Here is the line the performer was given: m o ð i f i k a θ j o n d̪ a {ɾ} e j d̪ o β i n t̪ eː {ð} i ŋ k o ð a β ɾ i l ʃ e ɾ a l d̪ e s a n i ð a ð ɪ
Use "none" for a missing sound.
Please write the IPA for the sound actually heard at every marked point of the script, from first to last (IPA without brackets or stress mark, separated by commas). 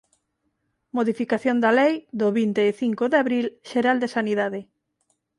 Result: l, θ